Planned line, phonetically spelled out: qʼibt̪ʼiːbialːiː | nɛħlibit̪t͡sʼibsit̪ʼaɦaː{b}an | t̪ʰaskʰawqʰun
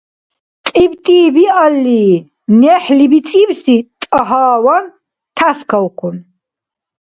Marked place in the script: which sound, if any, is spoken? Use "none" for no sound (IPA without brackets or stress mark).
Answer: w